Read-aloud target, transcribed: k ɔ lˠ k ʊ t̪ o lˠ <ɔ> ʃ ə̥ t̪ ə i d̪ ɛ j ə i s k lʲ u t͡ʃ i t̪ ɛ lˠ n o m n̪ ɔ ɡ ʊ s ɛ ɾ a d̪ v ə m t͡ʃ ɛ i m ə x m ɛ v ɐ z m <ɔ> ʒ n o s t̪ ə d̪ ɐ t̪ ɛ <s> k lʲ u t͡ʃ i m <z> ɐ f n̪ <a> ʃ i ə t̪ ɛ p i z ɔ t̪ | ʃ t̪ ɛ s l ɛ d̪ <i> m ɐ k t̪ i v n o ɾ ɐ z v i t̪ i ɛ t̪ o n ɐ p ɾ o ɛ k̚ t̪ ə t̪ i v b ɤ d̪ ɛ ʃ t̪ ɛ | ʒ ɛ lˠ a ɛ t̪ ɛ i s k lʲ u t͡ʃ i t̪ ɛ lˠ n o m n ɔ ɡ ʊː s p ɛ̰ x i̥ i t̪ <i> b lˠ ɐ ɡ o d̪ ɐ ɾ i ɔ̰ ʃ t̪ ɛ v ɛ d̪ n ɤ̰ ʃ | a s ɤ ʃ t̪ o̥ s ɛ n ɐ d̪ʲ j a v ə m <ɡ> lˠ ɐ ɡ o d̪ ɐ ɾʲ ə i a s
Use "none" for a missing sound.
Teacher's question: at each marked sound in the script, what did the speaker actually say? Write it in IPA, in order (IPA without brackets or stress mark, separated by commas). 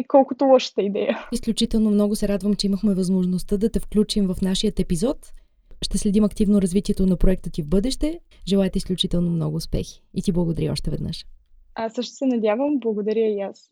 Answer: ɔ, o, f, v, a, i, i, b